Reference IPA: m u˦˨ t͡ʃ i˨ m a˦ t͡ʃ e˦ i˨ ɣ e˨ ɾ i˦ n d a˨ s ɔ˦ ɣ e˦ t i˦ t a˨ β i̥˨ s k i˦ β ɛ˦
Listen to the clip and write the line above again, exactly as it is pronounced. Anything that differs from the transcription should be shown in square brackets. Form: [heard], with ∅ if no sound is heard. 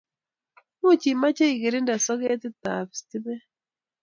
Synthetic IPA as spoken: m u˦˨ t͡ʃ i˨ m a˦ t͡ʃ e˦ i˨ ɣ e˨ ɾ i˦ n d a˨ s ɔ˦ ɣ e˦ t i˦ t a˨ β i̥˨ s [t] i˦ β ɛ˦